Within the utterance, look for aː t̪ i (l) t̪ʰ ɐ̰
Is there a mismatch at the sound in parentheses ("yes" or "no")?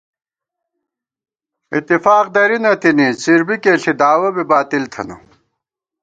no